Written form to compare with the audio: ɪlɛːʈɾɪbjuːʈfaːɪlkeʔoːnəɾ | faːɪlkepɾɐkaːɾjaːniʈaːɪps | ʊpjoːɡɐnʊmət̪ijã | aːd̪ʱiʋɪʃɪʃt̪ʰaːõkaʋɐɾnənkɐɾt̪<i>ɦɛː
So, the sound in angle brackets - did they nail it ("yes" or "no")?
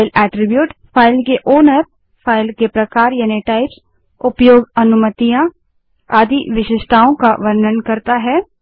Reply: no